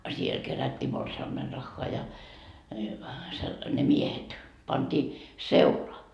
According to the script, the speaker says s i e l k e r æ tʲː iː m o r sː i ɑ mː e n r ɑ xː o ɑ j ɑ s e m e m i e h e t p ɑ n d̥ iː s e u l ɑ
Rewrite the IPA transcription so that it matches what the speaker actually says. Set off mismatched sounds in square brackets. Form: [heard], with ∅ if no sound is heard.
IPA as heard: s i e l k e r æ tʲː iː m o r [s] i ɑ mː e n r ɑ xː o ɑ j ɑ s e [n] e m i e h e t p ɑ n d̥ iː s e u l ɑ

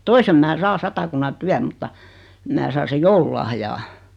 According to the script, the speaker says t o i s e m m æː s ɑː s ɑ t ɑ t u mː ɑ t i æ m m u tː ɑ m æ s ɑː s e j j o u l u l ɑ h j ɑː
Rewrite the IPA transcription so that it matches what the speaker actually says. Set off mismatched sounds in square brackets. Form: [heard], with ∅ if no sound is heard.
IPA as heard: t o i s e m m æː s ɑː s ɑ t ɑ [k] u [nː] ɑ t [y] æ m m u tː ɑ m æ s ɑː s e j j o u l u l ɑ h j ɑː

